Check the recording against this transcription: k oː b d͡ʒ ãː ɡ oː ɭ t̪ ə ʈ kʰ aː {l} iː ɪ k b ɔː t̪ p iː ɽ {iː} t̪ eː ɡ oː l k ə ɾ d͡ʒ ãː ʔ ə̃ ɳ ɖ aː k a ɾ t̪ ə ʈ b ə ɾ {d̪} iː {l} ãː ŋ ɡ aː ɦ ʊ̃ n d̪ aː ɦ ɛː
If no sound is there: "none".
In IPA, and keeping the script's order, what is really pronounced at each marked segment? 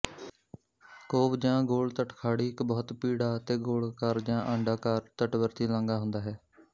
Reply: ɽ, aː, t̪, l

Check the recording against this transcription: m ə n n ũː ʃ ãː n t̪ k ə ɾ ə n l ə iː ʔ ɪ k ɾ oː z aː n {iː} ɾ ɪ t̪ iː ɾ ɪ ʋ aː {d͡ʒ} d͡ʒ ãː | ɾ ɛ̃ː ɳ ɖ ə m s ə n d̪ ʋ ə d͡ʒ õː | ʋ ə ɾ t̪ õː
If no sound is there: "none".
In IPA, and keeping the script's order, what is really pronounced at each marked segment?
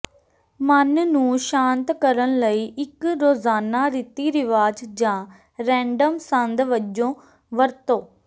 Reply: aː, d͡ʒ

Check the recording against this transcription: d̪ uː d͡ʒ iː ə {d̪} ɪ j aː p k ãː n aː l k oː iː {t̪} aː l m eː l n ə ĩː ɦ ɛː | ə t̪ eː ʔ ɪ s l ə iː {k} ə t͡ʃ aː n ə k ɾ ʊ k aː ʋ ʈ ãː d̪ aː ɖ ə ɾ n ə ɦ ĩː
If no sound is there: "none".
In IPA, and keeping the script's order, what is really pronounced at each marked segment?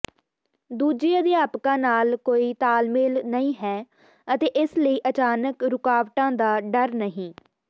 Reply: d̪, t̪, ʔ

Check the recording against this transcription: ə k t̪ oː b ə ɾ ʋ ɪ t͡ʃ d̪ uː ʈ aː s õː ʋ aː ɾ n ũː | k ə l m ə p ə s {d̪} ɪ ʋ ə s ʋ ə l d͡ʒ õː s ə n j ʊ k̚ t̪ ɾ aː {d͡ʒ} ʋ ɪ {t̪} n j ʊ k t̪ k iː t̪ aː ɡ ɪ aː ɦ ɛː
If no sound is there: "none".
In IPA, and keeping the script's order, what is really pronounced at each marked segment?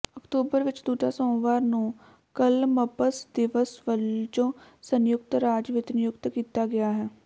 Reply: d̪, d͡ʒ, t̪

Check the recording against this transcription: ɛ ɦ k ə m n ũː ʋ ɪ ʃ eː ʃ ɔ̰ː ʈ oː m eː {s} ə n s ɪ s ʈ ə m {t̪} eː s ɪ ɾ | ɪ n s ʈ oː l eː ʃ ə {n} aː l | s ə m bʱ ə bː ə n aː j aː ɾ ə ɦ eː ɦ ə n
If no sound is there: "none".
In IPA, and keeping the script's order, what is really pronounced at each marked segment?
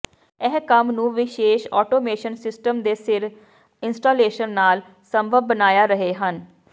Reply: ʃ, d̪, nː

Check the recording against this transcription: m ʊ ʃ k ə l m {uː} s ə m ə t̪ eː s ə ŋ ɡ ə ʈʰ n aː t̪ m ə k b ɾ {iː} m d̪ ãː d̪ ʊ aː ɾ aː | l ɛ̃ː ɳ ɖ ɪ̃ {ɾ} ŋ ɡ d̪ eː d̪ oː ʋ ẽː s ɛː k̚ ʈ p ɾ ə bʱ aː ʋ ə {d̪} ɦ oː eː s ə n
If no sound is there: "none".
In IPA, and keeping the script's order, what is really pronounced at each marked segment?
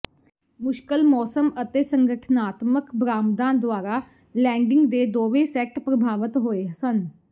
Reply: ɔː, aː, none, t̪

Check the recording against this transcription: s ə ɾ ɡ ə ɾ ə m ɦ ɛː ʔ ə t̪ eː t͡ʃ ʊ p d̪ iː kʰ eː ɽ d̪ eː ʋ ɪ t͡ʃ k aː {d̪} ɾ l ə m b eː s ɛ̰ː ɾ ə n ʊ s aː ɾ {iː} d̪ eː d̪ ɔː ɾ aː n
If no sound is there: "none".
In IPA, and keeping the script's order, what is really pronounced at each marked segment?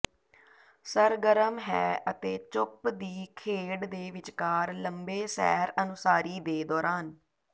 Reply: none, iː

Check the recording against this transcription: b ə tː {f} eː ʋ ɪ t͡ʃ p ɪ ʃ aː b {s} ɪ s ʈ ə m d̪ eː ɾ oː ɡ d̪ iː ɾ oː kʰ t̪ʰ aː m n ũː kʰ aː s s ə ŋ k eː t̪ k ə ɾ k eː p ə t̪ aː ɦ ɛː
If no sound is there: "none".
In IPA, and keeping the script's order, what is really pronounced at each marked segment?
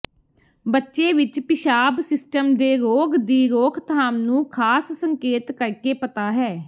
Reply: ʃ, s

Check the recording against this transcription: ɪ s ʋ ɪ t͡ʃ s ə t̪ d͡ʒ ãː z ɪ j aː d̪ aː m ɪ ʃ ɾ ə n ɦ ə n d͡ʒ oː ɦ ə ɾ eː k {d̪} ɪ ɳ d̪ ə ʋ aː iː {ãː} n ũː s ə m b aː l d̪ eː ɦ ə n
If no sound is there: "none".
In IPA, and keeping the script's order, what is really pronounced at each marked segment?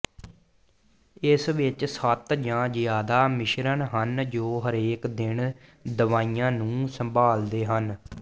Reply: d̪, ãː

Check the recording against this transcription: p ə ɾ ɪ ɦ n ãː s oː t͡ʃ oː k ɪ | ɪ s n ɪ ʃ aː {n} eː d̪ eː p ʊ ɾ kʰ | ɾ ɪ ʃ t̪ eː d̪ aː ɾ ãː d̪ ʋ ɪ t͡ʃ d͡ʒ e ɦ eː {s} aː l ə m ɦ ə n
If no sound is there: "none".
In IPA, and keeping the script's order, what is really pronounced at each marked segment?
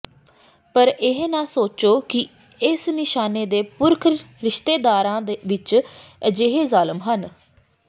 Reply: n, z

